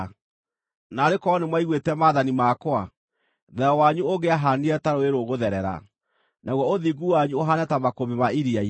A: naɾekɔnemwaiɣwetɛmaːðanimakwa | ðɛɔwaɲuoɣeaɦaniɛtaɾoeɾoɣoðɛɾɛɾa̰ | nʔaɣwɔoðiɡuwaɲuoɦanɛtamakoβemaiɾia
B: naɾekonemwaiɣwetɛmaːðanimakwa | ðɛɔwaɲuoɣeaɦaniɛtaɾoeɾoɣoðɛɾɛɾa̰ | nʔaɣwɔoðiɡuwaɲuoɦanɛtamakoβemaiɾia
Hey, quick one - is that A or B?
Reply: A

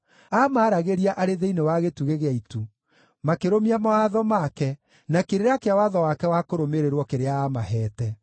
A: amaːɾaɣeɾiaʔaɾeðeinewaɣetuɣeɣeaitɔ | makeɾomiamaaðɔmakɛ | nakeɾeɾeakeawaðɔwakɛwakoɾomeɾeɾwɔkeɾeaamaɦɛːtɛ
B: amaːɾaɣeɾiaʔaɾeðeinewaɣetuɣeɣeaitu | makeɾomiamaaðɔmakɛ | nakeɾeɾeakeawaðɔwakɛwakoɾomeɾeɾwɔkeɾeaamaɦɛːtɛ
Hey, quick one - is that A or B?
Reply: B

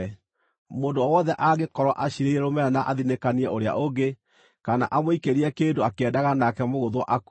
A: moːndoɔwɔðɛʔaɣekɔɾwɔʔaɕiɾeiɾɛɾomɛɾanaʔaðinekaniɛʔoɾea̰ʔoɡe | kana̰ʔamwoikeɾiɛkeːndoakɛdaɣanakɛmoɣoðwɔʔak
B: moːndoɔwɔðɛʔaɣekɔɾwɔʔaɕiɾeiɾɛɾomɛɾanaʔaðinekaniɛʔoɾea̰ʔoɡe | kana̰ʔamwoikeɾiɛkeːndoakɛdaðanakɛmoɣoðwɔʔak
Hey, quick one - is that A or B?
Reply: A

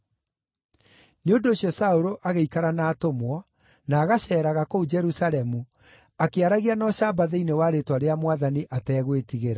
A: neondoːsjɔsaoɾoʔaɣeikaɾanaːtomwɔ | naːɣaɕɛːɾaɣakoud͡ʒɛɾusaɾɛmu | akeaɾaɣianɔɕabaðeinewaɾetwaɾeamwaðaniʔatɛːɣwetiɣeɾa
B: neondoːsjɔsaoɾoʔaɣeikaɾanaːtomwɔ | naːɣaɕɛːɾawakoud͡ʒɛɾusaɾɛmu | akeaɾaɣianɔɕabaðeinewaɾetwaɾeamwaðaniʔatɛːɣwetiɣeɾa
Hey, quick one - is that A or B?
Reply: A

